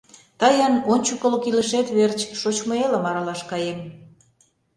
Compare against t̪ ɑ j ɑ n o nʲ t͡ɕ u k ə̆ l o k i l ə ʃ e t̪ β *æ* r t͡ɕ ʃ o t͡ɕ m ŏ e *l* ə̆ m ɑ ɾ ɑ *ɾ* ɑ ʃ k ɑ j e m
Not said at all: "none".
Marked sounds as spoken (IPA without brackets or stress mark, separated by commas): e, l, l